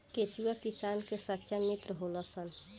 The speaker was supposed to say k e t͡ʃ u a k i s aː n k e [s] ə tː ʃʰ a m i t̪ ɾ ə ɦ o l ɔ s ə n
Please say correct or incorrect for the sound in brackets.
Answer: correct